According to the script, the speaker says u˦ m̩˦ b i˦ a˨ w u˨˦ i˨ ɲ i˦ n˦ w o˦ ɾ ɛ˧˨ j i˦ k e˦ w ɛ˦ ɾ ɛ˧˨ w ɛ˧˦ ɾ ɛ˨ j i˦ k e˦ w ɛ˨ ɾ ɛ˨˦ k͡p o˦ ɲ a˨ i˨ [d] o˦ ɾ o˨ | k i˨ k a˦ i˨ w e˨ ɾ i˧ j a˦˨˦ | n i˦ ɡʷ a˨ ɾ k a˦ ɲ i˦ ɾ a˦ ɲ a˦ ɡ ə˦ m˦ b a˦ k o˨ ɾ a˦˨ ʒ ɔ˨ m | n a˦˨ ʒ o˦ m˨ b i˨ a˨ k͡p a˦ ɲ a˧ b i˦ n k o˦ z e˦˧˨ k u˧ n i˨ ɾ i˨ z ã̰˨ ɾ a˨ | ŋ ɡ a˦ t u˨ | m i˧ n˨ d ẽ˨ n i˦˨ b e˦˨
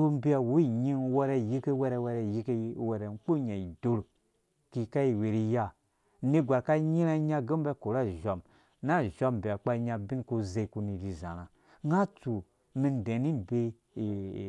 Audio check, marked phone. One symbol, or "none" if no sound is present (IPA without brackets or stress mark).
d